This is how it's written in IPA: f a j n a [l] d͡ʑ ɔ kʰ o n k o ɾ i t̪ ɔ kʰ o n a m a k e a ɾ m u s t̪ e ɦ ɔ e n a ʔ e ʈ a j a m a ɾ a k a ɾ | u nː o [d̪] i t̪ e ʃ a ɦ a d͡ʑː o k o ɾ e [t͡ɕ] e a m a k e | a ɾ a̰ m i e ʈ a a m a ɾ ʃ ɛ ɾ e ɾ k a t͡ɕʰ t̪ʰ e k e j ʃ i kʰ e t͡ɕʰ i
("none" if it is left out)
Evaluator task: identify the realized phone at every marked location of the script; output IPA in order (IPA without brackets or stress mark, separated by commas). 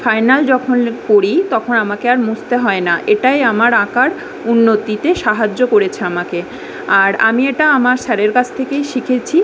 l, t̪, t͡ɕʰ